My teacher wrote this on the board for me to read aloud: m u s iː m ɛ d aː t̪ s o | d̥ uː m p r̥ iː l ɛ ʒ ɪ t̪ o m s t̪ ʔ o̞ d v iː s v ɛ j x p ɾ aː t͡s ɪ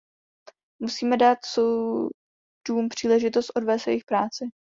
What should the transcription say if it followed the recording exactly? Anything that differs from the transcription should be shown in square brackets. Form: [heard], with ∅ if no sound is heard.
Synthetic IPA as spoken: m u s iː m ɛ d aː t̪ s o | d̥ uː m p r̥ iː l ɛ ʒ ɪ t̪ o [∅] s t̪ ʔ o̞ d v [ɛː] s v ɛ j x p ɾ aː t͡s ɪ